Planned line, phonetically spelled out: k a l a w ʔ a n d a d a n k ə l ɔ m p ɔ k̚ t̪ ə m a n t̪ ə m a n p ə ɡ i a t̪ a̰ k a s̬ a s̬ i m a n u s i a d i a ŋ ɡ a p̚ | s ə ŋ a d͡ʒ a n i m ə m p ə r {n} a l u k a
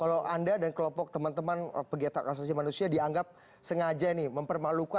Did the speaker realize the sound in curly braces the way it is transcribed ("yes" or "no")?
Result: no